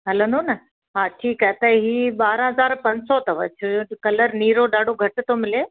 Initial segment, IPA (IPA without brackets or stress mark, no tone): ɦ